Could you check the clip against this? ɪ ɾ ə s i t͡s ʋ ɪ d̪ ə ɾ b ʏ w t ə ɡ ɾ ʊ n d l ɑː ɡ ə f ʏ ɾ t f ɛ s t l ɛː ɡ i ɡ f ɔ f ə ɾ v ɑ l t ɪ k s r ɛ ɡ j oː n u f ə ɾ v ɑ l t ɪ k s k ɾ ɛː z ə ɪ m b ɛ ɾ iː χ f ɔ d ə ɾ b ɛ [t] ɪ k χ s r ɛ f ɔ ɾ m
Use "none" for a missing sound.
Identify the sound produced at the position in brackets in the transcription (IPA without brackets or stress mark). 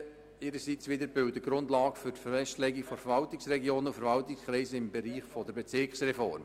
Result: t͡s